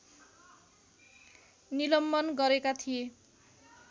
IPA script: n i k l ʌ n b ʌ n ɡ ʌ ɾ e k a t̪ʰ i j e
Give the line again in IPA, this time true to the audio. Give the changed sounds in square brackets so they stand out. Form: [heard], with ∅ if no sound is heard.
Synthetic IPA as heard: n i [∅] l ʌ [m] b ʌ n ɡ ʌ ɾ e k a t̪ʰ i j e